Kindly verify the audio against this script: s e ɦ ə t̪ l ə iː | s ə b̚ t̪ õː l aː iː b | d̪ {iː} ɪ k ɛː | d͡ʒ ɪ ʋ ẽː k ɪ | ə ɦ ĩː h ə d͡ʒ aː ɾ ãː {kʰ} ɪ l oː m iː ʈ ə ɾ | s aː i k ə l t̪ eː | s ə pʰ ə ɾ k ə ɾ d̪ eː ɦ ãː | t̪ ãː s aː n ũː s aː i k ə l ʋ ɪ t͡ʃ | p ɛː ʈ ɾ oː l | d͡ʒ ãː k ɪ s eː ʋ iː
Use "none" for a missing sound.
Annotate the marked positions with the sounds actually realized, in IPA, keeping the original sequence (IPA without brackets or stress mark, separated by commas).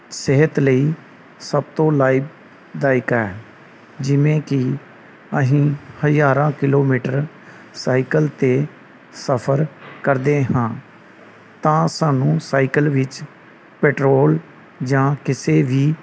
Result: aː, k